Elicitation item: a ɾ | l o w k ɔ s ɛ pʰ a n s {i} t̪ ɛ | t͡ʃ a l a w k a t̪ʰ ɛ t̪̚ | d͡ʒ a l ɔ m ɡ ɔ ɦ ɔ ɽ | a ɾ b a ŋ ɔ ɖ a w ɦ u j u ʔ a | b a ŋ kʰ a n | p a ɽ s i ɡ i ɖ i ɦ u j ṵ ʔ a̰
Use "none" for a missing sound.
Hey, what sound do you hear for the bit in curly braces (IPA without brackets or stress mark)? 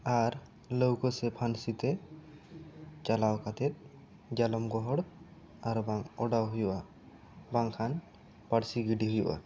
i